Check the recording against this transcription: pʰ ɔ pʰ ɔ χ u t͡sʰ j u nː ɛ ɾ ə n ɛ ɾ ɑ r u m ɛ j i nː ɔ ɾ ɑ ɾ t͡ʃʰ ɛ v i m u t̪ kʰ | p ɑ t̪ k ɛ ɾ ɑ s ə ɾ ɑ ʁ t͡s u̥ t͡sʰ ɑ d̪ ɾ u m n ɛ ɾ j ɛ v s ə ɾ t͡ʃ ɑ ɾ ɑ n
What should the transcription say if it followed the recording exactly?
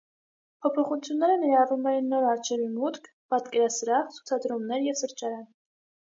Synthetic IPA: pʰ ɔ pʰ ɔ χ u t͡sʰ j u nː ɛ ɾ ə n ɛ ɾ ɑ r u m ɛ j i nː ɔ ɾ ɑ ɾ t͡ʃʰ ɛ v i m u t̪ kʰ | p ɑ t̪ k ɛ ɾ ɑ s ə ɾ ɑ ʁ t͡sʰ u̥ t͡sʰ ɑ d̪ ɾ u m n ɛ ɾ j ɛ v s ə ɾ t͡ʃ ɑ ɾ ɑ n